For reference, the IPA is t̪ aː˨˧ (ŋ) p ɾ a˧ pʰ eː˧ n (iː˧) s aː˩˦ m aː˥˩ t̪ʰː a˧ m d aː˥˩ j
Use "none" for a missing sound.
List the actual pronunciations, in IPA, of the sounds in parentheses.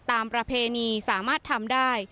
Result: m, iː˧

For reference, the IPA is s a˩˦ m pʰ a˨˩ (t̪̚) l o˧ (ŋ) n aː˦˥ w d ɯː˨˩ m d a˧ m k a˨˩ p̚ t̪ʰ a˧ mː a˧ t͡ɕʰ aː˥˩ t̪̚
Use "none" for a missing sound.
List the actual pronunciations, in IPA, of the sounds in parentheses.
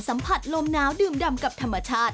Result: t̪̚, m

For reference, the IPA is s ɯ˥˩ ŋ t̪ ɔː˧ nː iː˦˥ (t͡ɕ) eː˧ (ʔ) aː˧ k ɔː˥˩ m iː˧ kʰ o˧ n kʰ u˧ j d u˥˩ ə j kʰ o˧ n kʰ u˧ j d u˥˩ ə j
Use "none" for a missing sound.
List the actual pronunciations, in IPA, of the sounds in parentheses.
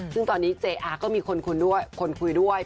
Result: t͡ɕ, ʔ

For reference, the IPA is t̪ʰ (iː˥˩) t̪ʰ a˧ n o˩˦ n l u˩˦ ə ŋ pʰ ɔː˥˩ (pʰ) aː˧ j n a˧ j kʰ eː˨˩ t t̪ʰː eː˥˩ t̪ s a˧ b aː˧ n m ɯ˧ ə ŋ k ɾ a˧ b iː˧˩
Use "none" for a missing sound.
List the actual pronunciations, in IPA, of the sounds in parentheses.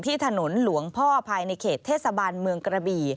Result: iː˥˩, pʰ

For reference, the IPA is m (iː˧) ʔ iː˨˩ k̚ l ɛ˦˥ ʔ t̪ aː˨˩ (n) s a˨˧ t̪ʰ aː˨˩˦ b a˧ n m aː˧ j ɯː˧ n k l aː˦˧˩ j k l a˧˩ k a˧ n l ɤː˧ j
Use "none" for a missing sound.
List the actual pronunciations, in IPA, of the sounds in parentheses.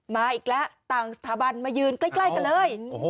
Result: aː˧, ŋ

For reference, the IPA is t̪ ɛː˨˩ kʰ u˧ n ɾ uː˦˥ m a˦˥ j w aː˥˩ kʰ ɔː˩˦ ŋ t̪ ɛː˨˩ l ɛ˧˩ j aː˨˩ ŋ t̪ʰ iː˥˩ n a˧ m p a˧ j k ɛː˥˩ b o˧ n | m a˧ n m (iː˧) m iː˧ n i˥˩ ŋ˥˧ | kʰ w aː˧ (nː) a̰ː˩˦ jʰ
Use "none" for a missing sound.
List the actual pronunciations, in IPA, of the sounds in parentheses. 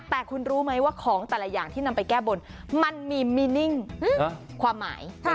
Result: iː˧, mː

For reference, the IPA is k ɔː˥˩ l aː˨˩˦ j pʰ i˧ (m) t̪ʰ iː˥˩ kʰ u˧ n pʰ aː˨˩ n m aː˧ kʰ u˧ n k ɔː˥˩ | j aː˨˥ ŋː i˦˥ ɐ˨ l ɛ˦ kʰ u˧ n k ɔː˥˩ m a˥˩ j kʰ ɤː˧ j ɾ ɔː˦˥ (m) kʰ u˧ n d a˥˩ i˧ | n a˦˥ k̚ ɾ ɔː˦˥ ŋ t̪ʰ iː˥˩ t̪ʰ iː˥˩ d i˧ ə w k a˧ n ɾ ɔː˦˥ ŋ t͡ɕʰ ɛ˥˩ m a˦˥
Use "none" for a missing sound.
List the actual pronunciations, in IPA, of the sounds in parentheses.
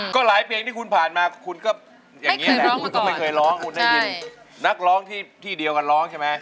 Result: ŋ, ŋ

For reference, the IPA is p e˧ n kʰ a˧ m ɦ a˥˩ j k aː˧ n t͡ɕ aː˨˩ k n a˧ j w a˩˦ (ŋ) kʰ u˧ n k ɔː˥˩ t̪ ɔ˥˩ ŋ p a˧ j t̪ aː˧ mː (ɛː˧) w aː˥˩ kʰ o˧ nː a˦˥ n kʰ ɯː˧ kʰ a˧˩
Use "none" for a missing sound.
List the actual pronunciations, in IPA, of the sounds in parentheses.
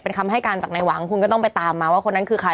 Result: ŋ, aː˧

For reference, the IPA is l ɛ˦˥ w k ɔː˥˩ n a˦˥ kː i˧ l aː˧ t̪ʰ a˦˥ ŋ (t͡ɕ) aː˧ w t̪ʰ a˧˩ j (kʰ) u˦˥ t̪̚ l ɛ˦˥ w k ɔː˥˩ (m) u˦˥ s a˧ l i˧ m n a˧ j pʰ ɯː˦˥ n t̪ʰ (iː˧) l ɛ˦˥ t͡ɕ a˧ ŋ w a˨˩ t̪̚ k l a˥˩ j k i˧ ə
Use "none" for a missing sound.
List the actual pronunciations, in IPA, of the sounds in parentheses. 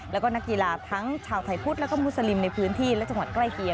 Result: t͡ɕʰ, pʰ, m, iː˥˩

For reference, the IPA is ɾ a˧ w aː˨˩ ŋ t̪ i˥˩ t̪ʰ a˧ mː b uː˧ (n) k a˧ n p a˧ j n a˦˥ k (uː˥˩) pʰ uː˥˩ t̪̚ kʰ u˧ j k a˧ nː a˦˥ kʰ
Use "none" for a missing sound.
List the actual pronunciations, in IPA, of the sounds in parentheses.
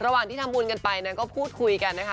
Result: n, ɔː˥˩

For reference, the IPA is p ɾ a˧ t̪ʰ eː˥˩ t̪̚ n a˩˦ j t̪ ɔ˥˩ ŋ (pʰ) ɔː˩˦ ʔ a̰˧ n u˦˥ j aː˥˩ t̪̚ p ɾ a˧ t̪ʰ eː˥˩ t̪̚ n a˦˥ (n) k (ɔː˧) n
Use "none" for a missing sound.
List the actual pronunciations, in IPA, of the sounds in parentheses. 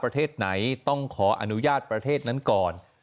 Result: kʰ, n, ɔː˨˩

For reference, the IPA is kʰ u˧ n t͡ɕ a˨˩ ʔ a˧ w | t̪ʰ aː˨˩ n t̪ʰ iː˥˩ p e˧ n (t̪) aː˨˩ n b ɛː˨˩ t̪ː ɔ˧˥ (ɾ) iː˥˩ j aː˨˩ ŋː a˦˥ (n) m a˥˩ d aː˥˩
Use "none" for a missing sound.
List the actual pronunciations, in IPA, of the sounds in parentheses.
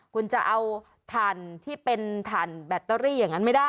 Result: t̪ʰ, ɾ, n

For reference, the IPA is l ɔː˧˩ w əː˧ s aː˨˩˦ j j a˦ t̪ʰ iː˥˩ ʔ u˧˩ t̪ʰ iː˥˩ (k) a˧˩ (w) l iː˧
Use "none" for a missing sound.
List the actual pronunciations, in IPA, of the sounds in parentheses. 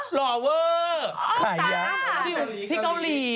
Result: k, w

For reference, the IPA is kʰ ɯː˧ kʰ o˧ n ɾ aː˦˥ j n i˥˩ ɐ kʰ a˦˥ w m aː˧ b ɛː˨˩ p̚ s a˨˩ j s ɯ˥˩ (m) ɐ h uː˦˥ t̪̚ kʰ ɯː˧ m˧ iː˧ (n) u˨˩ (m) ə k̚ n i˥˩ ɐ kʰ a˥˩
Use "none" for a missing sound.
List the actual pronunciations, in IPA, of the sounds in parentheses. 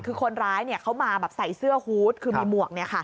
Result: none, m, none

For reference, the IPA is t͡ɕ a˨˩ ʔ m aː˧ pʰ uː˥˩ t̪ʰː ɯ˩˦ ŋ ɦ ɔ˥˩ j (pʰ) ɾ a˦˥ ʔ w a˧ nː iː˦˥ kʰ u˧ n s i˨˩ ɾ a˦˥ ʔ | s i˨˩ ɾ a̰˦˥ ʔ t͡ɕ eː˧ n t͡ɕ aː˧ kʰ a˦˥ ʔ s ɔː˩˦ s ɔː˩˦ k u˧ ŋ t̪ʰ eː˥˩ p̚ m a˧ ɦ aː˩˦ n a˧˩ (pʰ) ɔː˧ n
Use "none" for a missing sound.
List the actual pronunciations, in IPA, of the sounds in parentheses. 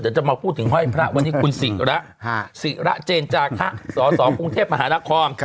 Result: pʰ, kʰ

